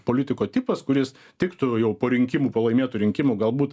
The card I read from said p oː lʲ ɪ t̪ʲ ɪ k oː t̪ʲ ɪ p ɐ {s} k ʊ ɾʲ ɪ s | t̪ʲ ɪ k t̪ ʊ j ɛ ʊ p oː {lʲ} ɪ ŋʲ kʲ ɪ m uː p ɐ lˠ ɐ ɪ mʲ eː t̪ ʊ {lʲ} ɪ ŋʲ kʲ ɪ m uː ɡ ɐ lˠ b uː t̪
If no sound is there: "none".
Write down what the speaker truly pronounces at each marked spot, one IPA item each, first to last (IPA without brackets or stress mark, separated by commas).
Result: s, ɾʲ, ɾʲ